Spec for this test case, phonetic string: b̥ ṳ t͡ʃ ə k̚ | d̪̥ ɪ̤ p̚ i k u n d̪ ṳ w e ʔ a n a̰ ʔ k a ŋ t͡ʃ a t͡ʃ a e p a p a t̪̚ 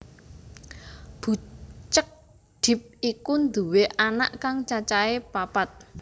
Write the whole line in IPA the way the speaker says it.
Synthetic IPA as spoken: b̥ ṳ t͡ʃ ə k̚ | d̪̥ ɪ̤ p̚ i k u n d̪ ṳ w e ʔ a n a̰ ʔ k a ŋ t͡ʃ a t͡ʃ a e p a p a t̪̚